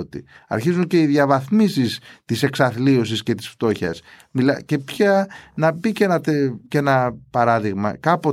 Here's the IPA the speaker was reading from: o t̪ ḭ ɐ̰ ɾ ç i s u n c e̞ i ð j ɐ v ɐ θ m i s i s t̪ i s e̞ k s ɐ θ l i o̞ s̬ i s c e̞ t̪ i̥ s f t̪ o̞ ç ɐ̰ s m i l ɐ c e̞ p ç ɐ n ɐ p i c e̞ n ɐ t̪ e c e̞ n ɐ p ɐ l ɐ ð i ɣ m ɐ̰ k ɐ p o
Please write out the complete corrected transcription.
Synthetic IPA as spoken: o t̪ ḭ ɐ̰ ɾ ç i z u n c e̞ i ð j ɐ v ɐ θ m i s i s t̪ i s e̞ k s ɐ θ l i o̞ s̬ i s c e̞ t̪ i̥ s f t̪ o̞ ç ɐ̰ s m i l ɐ c e̞ p ç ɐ n ɐ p i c e̞ n ɐ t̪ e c e̞ n ɐ p ɐ ɾ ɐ ð i ɣ m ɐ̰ k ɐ p o